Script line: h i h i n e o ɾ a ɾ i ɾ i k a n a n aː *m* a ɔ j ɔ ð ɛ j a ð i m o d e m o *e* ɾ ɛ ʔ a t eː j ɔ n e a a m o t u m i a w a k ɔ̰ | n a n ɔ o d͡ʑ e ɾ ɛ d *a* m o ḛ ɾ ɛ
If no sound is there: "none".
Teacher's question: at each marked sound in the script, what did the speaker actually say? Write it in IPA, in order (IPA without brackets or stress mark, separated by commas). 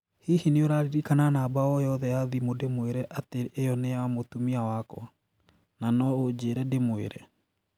b, e, e